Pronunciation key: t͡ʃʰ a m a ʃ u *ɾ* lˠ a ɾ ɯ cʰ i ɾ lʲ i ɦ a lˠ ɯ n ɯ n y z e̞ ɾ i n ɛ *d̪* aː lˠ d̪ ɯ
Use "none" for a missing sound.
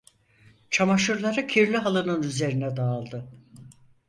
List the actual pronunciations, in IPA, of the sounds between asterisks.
ɾ, d̪

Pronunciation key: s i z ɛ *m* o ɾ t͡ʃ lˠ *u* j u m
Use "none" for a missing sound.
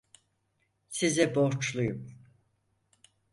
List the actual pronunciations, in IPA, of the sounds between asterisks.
b, u

